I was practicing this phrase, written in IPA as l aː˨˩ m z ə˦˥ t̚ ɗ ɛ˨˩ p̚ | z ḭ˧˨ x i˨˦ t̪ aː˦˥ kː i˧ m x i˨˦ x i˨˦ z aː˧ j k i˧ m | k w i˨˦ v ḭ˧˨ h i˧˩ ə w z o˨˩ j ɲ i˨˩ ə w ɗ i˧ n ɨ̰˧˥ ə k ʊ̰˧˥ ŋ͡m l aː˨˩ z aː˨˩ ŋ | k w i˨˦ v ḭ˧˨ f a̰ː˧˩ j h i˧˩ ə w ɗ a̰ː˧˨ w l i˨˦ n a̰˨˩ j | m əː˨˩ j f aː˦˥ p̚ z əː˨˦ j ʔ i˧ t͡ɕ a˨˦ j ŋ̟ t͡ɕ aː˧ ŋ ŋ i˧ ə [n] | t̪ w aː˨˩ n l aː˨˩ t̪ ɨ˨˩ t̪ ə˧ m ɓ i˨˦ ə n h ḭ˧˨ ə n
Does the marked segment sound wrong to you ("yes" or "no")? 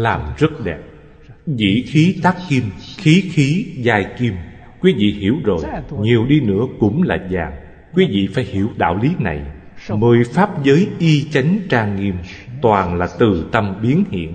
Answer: yes